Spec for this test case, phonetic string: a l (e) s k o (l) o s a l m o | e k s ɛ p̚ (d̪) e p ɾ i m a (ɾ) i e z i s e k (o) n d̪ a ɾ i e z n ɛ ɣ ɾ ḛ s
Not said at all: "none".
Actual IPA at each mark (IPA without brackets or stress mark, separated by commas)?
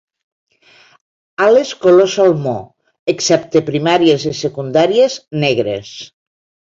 e, l, t̪, ɾ, u